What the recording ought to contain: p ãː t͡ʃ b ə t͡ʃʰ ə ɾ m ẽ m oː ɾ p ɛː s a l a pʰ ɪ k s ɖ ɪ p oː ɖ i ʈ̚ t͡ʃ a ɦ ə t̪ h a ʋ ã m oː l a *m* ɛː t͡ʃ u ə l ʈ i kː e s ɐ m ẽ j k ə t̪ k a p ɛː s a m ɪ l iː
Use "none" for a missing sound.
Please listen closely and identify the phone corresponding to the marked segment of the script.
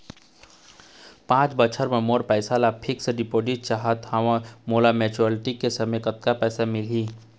m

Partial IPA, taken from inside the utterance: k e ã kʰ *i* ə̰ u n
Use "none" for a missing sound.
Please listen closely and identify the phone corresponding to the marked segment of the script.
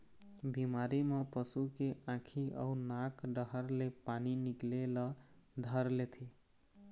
i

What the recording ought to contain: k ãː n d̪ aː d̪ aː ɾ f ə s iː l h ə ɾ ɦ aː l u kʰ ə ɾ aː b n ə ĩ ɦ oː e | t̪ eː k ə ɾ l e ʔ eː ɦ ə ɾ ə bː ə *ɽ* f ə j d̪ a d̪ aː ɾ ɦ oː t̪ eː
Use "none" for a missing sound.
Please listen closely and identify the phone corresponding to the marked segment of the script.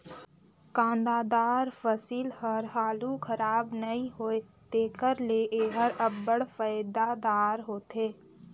ɽ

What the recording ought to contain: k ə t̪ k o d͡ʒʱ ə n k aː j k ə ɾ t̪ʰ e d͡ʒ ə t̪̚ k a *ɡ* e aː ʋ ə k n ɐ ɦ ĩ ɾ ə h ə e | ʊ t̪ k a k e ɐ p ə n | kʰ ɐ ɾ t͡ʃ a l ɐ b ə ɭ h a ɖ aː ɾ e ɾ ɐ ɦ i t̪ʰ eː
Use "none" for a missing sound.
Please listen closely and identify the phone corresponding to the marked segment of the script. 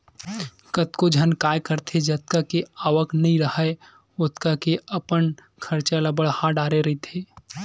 k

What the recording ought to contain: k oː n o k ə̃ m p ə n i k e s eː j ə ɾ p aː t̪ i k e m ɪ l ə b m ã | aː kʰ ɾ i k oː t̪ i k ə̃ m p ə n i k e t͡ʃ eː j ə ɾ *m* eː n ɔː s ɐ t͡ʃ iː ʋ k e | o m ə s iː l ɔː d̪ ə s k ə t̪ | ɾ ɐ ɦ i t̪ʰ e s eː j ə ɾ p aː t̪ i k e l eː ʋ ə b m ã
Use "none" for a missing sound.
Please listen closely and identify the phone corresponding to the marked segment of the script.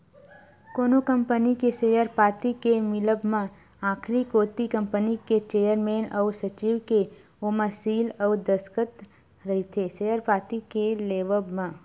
m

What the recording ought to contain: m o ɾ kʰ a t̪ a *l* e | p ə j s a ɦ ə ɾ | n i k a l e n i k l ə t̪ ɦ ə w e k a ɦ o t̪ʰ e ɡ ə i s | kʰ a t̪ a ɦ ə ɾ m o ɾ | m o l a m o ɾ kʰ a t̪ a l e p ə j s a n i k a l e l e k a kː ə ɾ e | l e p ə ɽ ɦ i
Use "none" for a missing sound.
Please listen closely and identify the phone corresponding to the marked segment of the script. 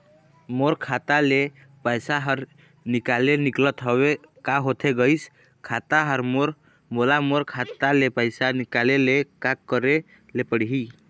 l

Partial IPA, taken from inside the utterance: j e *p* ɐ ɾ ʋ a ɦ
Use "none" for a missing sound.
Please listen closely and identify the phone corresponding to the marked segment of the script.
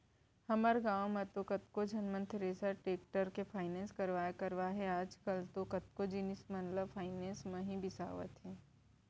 k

